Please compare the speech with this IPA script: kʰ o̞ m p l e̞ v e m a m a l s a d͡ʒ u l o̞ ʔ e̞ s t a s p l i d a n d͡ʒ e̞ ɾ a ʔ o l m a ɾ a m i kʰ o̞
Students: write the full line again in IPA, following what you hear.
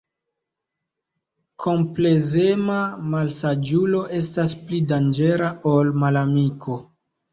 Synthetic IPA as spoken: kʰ o̞ m p l e̞ z e m a m a l s a d͡ʒ u l o̞ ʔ e̞ s t a s p l i d a n d͡ʒ e̞ ɾ a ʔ o l m a l a m i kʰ o̞